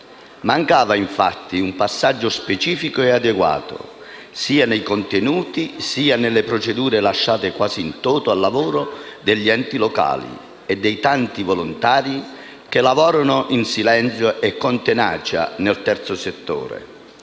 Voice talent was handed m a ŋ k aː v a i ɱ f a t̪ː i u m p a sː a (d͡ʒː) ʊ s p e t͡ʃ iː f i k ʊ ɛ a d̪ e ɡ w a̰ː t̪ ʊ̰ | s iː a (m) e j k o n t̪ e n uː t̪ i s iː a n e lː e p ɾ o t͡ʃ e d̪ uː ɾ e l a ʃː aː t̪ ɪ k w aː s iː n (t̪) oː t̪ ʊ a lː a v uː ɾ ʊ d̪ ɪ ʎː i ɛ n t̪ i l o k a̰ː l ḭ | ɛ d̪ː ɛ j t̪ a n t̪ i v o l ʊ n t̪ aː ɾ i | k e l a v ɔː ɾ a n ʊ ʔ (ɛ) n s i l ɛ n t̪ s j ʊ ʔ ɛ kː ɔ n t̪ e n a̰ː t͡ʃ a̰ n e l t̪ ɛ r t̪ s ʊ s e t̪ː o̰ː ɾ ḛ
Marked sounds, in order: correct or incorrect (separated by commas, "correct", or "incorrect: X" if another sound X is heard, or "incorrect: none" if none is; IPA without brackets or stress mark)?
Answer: correct, incorrect: n, correct, incorrect: i